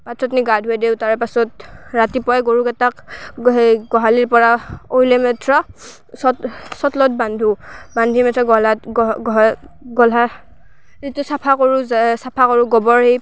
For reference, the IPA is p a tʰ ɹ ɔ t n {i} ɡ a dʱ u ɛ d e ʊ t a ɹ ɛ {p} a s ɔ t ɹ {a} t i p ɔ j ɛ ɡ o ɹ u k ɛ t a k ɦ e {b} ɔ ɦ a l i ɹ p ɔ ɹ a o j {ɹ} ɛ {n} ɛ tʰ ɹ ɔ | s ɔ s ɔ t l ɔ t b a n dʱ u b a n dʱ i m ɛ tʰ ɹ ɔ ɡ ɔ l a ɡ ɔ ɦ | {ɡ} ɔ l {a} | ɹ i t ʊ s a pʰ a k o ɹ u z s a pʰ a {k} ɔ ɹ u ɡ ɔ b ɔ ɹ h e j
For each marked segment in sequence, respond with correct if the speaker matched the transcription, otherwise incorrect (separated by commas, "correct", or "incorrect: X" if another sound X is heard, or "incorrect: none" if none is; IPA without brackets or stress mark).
correct, correct, correct, incorrect: ɡ, incorrect: l, incorrect: m, correct, correct, correct